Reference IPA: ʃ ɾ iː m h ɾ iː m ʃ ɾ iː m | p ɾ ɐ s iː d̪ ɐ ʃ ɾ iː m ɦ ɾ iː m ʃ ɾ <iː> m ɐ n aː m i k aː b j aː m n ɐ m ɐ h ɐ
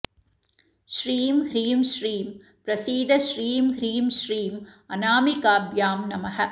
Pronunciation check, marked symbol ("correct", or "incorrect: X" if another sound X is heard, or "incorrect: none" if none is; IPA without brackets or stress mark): correct